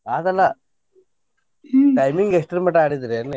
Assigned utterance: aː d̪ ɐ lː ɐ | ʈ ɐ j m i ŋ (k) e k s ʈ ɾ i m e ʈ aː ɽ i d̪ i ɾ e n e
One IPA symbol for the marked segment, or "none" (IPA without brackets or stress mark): ɡ